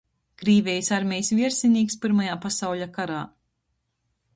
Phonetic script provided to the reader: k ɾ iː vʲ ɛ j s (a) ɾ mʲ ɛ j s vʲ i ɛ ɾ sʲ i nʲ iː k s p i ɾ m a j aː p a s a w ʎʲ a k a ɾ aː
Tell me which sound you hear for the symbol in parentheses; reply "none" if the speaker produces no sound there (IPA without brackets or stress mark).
a